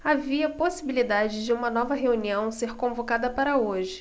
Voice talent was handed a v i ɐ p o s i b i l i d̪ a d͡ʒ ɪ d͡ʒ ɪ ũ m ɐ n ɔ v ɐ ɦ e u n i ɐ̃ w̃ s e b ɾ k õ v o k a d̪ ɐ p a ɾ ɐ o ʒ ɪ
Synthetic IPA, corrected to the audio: a v i ɐ p o s i b i l i d̪ a d͡ʒ ɪ d͡ʒ ɪ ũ m ɐ n ɔ v ɐ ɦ e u n i ɐ̃ w̃ s e ɾ k õ v o k a d̪ ɐ p a ɾ ɐ o ʒ ɪ

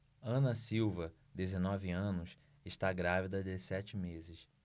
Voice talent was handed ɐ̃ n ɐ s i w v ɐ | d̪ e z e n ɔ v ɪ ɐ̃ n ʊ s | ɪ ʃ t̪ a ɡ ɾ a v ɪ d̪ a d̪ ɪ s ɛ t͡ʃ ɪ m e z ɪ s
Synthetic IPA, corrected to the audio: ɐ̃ n ɐ s i w v ɐ | d̪ e z e n ɔ v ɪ ɐ̃ n ʊ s | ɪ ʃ t̪ a ɡ ɾ a v i d̪ ɐ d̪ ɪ s ɛ t͡ʃ ɪ m e z ɪ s

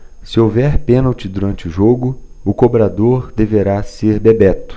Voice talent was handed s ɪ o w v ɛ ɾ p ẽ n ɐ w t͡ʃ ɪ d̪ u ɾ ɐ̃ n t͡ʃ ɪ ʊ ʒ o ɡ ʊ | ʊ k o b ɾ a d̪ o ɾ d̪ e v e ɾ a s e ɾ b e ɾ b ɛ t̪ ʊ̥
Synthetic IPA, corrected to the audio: s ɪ o w v ɛ ɾ p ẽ n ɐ w t͡ʃ ɪ d̪ u ɾ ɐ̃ n t͡ʃ ɪ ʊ ʒ o ɡ ʊ | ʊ k o b ɾ a d̪ o ɾ d̪ e v e ɾ a s e ɾ b e b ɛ t̪ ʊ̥

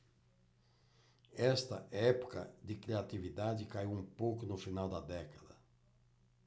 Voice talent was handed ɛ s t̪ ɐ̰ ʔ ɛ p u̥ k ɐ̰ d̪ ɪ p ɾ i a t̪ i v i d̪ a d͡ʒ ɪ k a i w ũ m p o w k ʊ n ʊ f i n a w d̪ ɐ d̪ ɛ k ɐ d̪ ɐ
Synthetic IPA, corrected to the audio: ɛ s t̪ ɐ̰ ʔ ɛ p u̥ k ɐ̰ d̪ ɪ k ɾ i a t̪ i v i d̪ a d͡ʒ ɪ k a i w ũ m p o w k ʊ n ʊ f i n a w d̪ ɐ d̪ ɛ k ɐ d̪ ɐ

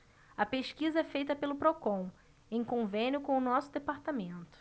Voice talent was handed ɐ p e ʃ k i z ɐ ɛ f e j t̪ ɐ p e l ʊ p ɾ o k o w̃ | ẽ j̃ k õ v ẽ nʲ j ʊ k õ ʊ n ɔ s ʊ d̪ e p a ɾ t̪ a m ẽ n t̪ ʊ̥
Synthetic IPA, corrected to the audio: ɐ p e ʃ k i z ɐ ɛ f e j t̪ ɐ p e l ʊ p ɾ o k õ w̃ | ẽ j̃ k õ v ẽ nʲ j ʊ k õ ʊ n ɔ s ʊ d̪ e p a ɾ t̪ a m ẽ n t̪ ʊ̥

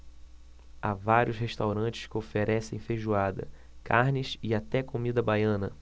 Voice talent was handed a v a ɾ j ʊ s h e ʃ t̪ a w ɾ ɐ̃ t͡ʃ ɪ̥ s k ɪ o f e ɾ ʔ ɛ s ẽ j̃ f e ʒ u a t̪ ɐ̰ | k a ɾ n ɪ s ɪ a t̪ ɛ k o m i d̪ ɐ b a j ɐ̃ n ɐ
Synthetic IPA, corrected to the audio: a v a ɾ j ʊ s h e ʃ t̪ a w ɾ ɐ̃ t͡ʃ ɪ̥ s k ɪ o f e ɾ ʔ ɛ s ẽ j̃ f e ʒ u a d̪ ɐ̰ | k a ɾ n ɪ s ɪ a t̪ ɛ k o m i d̪ ɐ b a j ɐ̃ n ɐ

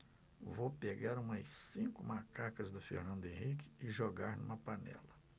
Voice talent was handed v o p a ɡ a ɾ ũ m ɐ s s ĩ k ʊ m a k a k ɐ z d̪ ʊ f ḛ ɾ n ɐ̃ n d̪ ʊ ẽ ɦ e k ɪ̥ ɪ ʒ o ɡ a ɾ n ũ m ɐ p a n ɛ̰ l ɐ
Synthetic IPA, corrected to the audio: v o p e ɡ a ɾ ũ m ɐ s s ĩ k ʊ m a k a k ɐ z d̪ ʊ f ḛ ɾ n ɐ̃ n d̪ ʊ ẽ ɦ i k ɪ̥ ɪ ʒ o ɡ a ɾ n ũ m ɐ p a n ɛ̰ l ɐ

